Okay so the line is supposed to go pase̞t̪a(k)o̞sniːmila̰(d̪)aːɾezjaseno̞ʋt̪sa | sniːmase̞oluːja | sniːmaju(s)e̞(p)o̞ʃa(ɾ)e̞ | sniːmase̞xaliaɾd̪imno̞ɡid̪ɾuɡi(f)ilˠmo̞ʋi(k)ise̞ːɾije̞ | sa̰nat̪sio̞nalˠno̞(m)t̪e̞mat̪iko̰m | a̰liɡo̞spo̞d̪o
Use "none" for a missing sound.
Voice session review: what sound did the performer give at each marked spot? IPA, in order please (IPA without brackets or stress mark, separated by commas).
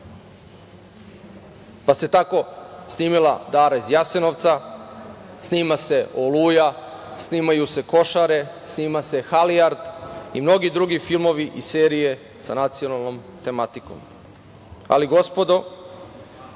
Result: k, d̪, s, k, ɾ, f, ʔ, m